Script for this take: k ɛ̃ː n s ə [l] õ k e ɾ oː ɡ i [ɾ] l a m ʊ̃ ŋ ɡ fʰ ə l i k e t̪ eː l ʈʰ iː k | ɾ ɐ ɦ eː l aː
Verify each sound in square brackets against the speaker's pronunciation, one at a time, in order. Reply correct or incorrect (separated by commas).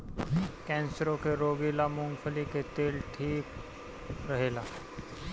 incorrect, incorrect